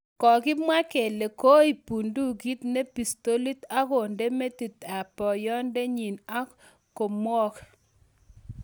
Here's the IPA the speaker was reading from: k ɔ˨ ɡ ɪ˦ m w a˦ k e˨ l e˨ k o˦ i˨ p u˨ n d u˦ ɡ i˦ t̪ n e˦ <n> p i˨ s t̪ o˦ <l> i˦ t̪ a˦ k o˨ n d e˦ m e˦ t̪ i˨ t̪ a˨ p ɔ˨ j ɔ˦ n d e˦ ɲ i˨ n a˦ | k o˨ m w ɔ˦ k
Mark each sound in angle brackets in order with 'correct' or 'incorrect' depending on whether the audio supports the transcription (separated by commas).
incorrect, correct